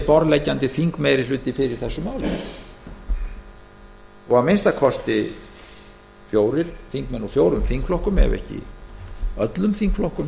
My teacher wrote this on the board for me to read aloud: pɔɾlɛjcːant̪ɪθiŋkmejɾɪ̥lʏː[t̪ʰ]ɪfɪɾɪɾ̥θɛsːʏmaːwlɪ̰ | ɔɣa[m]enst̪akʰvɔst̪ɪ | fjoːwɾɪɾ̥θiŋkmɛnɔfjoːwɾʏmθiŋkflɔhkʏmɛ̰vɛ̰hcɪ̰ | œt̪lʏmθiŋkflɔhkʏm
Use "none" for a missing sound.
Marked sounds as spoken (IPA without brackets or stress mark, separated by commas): t̪, m